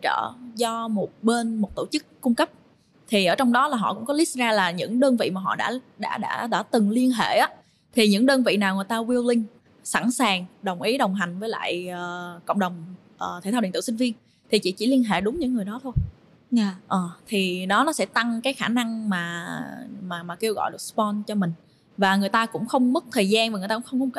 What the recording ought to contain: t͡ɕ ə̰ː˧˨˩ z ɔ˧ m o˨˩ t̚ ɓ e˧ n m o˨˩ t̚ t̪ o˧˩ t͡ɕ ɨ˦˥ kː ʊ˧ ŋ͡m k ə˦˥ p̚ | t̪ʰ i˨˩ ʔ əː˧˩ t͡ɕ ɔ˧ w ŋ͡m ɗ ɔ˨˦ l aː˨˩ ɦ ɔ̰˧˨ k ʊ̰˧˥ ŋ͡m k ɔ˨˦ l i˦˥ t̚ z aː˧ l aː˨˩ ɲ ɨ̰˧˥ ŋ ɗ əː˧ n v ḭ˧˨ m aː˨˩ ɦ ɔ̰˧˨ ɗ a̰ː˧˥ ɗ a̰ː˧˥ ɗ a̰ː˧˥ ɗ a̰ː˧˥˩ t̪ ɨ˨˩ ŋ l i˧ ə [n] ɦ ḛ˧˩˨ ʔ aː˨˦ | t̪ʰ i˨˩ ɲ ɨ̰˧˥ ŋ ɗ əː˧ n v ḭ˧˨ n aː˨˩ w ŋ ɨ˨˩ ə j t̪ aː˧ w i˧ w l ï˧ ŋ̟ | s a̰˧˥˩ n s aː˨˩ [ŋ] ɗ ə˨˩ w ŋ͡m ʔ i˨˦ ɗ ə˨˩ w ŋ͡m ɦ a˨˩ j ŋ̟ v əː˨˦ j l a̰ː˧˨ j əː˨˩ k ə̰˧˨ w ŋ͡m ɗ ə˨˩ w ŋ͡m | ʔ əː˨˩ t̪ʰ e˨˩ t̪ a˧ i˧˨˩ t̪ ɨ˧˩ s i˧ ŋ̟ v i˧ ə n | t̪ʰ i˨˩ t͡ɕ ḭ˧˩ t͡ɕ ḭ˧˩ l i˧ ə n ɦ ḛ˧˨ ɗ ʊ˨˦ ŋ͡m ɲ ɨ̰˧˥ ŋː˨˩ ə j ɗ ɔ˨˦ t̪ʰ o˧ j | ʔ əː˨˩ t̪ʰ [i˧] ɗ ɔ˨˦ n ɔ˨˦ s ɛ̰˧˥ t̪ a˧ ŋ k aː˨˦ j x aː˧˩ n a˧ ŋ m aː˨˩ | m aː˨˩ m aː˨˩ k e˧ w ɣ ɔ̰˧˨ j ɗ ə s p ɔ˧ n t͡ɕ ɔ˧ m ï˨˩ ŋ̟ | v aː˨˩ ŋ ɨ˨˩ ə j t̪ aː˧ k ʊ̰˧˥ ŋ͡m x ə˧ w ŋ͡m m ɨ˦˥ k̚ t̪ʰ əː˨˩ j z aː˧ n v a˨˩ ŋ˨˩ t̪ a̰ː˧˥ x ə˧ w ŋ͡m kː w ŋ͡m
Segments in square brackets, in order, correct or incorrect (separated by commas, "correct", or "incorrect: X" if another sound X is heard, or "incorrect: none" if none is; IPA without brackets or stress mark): correct, correct, incorrect: i˨˩